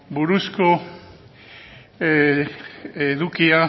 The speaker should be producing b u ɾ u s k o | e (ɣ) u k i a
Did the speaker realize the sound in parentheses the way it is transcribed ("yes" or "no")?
no